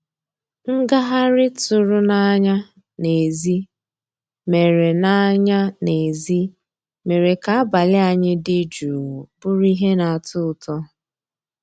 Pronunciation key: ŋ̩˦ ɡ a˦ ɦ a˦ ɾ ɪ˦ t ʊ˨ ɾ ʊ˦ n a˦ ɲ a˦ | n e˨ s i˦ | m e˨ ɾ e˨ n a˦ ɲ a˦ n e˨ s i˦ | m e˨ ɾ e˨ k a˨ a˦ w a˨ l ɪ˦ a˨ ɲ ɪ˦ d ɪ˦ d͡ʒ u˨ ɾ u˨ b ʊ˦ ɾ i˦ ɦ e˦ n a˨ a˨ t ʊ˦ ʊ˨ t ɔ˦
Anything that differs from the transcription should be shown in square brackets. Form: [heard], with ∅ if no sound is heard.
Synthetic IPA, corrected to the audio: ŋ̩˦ ɡ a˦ ɦ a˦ ɾ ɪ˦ t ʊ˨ ɾ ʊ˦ n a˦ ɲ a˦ | n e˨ [z] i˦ | m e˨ ɾ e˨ n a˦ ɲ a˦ n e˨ [z] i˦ | m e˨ ɾ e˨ k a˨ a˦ [b] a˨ l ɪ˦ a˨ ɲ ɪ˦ d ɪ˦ d͡ʒ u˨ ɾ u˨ b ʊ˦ ɾ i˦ ɦ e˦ n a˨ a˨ t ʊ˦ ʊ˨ t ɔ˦